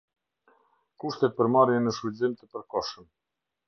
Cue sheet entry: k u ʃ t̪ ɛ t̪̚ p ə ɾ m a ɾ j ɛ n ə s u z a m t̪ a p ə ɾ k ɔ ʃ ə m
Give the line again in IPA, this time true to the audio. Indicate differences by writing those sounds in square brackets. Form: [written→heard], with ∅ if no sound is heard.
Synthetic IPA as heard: k u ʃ t̪ ɛ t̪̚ p ə ɾ m a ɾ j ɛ n ə [s→ʃ] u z [a→i] m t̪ [a→ə] p ə ɾ k ɔ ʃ ə m